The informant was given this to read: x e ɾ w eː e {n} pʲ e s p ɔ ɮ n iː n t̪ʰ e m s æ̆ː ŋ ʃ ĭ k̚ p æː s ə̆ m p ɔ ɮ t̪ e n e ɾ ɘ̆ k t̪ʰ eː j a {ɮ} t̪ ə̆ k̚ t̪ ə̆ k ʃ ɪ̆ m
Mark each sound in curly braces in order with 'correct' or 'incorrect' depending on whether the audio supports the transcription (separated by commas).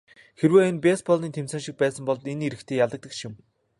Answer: correct, correct